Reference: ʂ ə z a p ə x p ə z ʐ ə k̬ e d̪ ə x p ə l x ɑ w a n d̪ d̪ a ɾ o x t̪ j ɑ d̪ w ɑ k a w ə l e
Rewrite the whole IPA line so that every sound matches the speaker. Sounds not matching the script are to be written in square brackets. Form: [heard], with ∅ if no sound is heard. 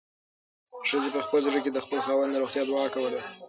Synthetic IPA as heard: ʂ ə z [e] p ə x p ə z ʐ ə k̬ e d̪ ə x p ə l x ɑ w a n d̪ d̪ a ɾ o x t̪ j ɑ d̪ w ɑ k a w ə l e